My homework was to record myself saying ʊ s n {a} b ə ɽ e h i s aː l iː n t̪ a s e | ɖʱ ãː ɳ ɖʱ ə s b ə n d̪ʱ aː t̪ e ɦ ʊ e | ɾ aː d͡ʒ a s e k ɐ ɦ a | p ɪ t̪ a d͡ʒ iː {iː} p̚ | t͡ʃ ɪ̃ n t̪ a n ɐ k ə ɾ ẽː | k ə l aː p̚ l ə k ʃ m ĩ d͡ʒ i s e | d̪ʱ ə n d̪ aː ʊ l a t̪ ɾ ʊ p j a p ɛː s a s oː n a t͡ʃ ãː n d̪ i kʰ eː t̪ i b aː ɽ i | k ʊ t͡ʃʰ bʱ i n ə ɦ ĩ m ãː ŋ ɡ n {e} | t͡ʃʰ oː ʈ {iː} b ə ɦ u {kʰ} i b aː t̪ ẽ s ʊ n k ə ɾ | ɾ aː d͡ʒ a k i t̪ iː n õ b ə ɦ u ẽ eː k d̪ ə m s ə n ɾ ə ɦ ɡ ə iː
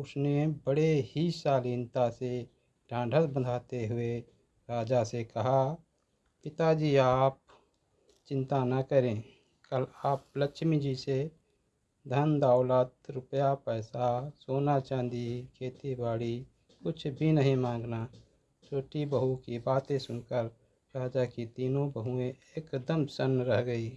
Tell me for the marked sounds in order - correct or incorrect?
incorrect: e, incorrect: aː, incorrect: a, incorrect: i, incorrect: k

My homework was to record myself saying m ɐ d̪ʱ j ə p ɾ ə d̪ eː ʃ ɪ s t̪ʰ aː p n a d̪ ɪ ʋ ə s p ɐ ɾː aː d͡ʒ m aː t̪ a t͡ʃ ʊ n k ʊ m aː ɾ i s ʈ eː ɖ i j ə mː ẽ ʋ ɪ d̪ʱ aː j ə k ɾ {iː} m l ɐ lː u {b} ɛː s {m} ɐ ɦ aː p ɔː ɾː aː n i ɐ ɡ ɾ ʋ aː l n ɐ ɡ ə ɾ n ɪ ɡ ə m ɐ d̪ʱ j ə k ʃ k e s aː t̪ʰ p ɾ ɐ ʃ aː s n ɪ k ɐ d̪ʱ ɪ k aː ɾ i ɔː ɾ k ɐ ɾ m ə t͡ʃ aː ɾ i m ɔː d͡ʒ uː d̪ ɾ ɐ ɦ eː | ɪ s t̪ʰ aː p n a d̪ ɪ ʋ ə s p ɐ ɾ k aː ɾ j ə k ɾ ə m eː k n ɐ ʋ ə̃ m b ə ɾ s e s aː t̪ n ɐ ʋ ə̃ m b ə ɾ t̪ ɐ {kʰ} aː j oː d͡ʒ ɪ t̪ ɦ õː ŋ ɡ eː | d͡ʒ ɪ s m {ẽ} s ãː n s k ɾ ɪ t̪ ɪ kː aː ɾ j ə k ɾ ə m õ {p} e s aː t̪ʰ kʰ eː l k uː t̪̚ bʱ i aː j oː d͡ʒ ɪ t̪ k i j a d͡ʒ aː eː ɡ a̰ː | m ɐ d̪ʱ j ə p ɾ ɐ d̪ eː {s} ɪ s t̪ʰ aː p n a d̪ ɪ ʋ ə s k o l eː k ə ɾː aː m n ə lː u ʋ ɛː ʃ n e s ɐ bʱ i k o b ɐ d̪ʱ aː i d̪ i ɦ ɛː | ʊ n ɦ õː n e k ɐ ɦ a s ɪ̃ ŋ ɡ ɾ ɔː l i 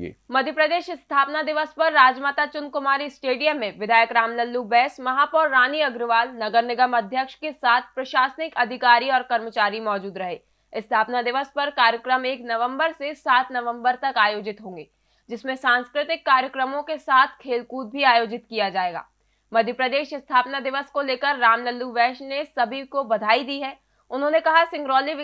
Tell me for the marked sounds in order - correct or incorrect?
incorrect: aː, correct, correct, incorrect: k, correct, incorrect: k, incorrect: ʃ

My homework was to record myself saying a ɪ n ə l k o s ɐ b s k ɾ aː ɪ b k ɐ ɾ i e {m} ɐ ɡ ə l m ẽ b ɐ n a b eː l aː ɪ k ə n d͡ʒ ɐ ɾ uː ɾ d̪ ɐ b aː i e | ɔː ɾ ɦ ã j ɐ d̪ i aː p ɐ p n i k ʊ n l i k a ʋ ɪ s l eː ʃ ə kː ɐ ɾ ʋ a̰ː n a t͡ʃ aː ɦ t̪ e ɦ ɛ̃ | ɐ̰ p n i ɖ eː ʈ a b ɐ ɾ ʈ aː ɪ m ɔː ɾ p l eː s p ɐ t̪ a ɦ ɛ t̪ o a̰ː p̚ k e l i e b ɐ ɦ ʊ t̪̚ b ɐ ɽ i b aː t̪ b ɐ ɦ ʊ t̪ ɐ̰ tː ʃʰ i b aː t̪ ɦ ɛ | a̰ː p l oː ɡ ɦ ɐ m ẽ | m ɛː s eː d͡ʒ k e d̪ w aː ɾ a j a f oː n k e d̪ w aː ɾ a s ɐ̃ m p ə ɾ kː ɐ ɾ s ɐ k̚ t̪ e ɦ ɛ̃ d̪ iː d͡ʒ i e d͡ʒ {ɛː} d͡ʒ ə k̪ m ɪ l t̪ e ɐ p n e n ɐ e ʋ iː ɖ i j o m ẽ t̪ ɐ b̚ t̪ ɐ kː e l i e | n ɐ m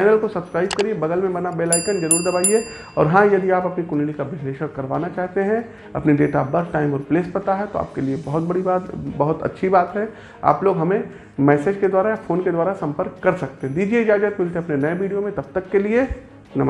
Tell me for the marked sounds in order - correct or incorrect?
incorrect: b, incorrect: aː

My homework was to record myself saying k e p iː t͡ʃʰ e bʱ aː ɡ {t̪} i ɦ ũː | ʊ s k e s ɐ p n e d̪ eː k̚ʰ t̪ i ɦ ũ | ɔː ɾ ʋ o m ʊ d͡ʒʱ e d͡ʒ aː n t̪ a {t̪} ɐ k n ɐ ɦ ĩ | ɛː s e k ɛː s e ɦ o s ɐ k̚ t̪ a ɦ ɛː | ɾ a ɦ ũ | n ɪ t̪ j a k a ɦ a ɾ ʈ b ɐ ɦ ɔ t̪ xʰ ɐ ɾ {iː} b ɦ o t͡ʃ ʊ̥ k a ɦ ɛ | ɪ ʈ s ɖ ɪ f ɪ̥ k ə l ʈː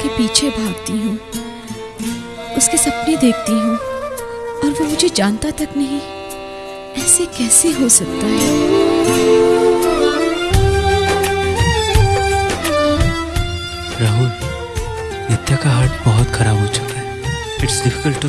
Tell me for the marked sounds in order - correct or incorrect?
correct, correct, incorrect: aː

